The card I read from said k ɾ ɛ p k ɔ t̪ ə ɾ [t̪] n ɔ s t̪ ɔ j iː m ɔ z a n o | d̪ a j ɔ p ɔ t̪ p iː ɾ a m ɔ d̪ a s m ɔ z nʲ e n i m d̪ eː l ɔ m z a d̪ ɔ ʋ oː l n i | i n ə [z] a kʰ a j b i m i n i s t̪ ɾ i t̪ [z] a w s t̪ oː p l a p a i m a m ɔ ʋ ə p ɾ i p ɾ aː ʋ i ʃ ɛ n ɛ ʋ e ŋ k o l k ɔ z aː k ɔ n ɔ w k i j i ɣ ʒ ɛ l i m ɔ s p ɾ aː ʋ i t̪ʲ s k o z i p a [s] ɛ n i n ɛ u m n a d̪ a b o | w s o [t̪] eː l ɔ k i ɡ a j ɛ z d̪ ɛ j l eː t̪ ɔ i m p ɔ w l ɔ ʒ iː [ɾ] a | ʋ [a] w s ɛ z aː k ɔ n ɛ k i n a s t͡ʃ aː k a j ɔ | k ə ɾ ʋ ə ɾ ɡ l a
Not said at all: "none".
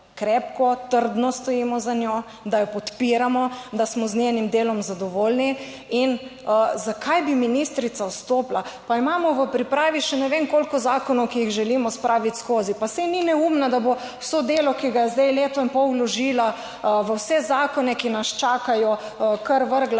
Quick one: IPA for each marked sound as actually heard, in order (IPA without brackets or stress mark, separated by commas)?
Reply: d̪, z, s, s, d̪, l, ə